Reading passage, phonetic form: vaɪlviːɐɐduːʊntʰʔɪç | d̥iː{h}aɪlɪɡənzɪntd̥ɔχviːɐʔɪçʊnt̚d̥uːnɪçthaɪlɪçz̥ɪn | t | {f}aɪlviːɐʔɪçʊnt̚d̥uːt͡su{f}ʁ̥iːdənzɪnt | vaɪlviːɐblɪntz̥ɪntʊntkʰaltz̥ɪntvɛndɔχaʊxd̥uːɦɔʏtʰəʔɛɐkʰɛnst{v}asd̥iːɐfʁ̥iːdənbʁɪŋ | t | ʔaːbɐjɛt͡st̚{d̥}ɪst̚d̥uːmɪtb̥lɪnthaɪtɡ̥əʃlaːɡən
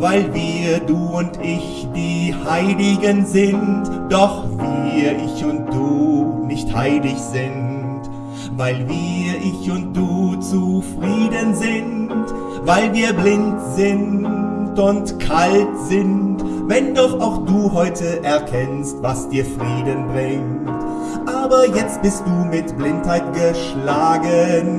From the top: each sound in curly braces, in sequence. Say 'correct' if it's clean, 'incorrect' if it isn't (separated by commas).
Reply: correct, incorrect, correct, correct, incorrect